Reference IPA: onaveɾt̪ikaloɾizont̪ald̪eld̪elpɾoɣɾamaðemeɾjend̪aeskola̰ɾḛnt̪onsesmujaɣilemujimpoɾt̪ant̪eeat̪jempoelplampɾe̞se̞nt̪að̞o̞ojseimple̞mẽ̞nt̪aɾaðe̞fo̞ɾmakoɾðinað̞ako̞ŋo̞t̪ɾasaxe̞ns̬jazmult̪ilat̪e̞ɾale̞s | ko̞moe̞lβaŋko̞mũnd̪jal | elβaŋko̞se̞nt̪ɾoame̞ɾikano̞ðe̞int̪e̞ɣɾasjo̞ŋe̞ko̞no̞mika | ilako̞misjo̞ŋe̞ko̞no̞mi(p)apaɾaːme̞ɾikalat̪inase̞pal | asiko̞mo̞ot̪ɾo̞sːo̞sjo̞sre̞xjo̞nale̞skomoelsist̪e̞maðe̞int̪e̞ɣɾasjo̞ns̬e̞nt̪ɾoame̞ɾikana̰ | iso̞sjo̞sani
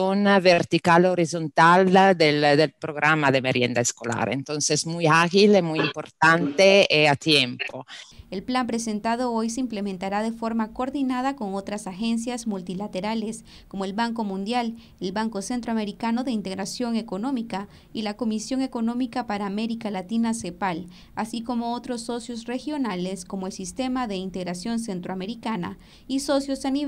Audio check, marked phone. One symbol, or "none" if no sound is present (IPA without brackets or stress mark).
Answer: k